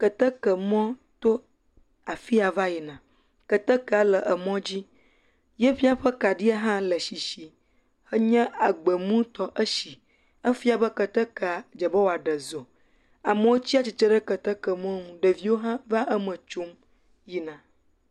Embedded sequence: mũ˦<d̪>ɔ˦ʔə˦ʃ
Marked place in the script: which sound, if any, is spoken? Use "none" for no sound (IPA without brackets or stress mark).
t̪